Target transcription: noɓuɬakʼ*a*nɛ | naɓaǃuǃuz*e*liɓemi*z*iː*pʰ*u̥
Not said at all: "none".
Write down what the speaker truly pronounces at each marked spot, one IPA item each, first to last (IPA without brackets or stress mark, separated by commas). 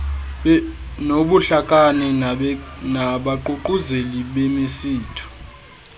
a, e, s, tʰ